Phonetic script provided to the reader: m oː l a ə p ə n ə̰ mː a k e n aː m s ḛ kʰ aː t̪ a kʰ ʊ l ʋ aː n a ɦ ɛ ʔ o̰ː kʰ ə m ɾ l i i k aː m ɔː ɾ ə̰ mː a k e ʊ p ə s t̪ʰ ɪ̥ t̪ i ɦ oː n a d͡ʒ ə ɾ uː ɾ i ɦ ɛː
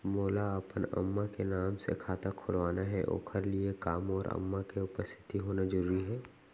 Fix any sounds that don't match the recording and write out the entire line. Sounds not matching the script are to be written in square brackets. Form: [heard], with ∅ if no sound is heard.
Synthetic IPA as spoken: m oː l a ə p ə n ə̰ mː a k e n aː m s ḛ kʰ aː t̪ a kʰ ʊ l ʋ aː n a ɦ ɛ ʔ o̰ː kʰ ə [∅] ɾ l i [e] k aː m ɔː ɾ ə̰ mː a k e ʊ p ə s t̪ʰ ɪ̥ t̪ i ɦ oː n a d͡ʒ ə ɾ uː ɾ i ɦ ɛː